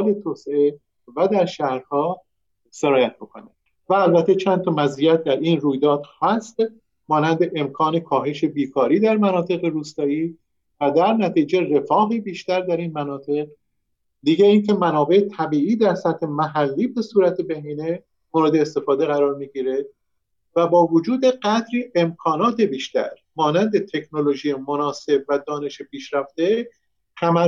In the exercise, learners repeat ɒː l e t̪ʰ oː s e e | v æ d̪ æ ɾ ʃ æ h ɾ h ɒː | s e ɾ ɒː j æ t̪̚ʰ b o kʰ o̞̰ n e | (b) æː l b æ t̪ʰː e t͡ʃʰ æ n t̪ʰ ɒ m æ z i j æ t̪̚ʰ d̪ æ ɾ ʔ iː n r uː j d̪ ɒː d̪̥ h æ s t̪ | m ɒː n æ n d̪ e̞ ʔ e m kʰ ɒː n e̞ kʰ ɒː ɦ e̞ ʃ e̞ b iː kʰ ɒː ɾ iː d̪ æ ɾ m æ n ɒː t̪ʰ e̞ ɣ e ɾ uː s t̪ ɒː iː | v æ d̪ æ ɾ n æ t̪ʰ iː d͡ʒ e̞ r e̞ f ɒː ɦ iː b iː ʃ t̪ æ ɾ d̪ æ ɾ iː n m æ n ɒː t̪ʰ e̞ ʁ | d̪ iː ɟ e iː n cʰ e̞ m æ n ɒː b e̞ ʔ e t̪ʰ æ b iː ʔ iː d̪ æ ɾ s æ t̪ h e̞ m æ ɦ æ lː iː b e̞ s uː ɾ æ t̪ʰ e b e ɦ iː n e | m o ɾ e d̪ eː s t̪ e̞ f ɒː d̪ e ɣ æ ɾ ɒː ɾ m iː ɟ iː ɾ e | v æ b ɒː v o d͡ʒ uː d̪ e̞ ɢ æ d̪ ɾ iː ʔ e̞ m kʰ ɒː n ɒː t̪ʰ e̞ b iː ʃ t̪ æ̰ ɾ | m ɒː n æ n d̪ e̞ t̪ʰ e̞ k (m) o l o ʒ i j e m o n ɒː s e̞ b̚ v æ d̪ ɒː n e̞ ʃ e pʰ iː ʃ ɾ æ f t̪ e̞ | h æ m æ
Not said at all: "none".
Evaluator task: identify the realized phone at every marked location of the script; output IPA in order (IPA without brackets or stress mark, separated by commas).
v, n